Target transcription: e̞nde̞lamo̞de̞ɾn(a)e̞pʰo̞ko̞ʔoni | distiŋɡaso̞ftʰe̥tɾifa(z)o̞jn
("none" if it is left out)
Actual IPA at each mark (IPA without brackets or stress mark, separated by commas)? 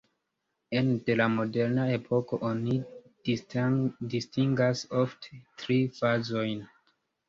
a, z